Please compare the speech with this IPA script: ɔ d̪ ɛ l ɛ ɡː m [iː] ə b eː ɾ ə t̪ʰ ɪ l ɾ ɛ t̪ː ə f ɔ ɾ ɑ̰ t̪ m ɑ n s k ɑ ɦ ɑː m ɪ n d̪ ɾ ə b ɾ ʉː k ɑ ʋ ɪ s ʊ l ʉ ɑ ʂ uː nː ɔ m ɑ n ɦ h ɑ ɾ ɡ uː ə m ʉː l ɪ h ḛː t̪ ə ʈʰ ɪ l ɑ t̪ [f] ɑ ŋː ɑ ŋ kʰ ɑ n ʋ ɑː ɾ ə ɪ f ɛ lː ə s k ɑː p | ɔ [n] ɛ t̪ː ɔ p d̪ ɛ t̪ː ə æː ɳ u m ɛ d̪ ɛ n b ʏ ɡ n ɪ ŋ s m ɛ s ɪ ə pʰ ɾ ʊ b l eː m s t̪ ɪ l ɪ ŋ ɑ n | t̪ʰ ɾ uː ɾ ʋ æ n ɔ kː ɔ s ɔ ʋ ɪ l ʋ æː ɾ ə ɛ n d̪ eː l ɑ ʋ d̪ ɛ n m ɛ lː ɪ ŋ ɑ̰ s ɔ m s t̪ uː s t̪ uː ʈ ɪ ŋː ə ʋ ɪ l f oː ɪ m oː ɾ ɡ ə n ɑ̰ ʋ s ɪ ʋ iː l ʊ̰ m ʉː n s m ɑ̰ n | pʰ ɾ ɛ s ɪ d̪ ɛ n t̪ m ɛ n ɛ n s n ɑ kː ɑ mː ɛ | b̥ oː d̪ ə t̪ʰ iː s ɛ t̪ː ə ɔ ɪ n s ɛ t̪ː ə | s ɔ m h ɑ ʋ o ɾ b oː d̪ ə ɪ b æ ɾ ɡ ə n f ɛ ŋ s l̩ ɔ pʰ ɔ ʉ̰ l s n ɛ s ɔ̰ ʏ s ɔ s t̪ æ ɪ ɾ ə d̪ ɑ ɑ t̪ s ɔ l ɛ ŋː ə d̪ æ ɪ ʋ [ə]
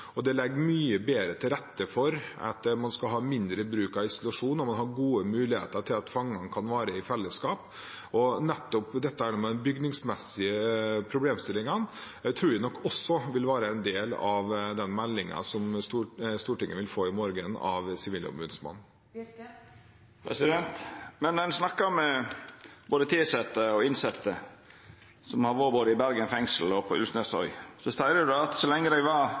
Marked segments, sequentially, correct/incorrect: incorrect: yː, correct, correct, incorrect: ɑ

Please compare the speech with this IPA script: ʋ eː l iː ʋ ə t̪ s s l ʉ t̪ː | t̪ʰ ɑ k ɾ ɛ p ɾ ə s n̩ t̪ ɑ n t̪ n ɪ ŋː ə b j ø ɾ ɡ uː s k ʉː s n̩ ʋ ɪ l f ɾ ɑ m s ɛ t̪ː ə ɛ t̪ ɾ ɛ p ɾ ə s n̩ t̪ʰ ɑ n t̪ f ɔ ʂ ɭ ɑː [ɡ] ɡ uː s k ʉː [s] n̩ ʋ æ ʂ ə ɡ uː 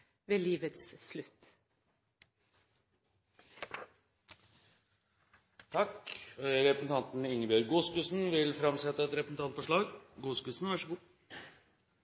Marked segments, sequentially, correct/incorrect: correct, correct

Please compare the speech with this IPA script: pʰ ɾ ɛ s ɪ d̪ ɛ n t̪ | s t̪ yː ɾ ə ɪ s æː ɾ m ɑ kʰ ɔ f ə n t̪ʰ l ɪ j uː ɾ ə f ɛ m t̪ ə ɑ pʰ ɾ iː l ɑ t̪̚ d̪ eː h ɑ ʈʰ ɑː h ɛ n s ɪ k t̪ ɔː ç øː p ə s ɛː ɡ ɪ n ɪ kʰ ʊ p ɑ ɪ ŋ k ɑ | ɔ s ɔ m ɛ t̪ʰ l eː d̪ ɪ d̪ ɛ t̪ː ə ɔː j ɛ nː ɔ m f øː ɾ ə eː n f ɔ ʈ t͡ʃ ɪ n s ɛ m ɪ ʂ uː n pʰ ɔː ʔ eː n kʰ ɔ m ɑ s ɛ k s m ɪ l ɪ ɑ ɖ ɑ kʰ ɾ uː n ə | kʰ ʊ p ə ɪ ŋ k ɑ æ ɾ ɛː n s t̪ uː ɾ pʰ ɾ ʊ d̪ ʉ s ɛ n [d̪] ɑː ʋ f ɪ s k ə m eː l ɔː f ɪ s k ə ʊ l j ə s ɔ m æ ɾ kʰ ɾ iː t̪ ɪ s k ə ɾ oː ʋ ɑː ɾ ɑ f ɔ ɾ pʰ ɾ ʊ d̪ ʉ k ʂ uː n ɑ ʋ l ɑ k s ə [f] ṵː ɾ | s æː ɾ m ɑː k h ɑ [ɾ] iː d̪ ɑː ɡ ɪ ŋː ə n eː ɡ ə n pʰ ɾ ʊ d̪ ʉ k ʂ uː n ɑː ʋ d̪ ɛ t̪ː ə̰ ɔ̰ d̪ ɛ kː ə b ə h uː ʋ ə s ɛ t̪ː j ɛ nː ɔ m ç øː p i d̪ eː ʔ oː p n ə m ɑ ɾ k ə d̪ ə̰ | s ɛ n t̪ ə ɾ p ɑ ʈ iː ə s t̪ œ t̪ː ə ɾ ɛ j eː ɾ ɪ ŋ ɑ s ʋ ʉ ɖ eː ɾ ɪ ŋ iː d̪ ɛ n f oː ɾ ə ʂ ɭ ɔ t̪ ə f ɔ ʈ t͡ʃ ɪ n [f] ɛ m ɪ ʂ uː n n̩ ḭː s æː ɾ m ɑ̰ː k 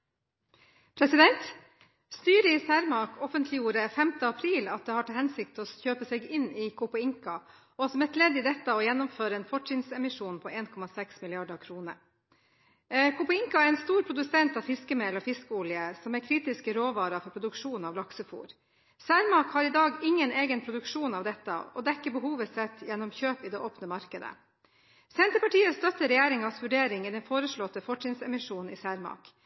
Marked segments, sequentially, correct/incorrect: incorrect: t̪, correct, correct, incorrect: s

